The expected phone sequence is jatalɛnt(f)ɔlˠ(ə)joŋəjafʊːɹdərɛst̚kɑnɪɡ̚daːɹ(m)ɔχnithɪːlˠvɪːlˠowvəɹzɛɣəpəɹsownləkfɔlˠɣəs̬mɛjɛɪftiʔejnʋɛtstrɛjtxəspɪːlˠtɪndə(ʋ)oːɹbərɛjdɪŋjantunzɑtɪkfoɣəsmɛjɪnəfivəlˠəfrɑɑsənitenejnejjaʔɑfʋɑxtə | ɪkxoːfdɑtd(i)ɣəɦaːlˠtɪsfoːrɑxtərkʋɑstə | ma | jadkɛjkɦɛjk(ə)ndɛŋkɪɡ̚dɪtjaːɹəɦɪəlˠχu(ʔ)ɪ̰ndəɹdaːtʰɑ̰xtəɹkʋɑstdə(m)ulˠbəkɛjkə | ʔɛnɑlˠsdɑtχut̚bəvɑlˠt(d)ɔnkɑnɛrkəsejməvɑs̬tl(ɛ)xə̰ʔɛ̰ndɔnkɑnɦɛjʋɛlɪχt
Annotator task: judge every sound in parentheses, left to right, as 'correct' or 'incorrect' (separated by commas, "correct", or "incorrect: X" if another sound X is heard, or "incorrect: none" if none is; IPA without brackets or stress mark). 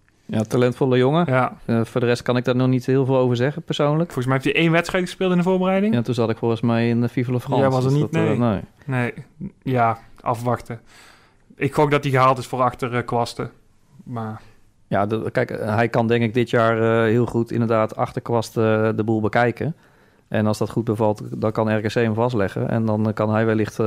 correct, correct, incorrect: n, incorrect: v, correct, incorrect: ɑ, incorrect: t, incorrect: b, correct, correct